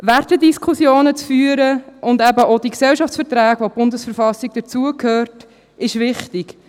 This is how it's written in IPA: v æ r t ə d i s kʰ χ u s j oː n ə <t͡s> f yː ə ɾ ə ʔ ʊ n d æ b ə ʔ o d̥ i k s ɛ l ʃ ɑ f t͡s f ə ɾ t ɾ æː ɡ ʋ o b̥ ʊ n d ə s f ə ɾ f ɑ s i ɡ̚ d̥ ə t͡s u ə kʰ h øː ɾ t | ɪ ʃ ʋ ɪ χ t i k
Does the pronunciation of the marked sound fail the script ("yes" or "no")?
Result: no